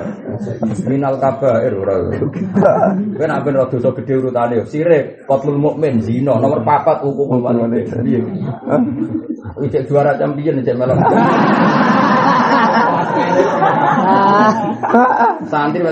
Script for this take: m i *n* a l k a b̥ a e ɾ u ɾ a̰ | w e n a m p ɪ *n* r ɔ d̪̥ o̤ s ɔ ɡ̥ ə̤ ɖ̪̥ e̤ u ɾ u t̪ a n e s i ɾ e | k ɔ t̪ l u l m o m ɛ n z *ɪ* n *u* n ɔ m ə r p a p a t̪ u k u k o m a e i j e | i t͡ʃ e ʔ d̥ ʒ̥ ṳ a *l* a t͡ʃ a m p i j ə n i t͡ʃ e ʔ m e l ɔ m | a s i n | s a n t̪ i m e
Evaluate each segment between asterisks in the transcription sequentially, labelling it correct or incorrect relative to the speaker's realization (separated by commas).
correct, correct, incorrect, incorrect, incorrect